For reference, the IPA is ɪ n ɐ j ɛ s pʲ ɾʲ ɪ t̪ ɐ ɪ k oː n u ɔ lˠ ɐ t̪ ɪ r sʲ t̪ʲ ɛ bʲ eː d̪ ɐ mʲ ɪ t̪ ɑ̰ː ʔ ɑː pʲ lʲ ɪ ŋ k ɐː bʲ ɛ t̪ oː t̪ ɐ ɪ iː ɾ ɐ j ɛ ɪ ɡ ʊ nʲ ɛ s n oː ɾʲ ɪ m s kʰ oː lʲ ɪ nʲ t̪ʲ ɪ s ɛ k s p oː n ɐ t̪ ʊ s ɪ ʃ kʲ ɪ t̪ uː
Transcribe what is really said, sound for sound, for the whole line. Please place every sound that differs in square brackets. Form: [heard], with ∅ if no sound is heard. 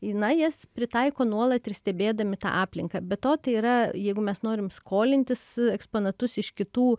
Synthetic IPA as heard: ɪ n ɐ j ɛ s pʲ ɾʲ ɪ t̪ ɐ ɪ k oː n u ɔ lˠ ɐ t̪ ɪ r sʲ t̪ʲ ɛ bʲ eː d̪ ɐ mʲ ɪ t̪ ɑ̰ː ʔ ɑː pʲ lʲ ɪ ŋ k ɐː bʲ ɛ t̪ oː t̪ ɐ ɪ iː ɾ ɐ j ɛ ɪ ɡ ʊ [mʲ] ɛ s n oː ɾʲ ɪ m s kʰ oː lʲ ɪ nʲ t̪ʲ ɪ s ɛ k s p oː n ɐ t̪ ʊ s ɪ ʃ kʲ ɪ t̪ uː